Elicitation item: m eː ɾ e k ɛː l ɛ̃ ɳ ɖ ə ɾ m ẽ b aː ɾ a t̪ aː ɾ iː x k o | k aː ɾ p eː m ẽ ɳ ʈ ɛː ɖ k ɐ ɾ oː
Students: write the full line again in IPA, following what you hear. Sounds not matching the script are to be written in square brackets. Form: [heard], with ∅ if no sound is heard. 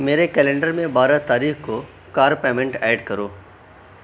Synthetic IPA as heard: m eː ɾ e k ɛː l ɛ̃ ɳ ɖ ə ɾ m ẽ b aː ɾ a t̪ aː ɾ iː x k o | k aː ɾ p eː m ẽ ɳ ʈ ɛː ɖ k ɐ ɾ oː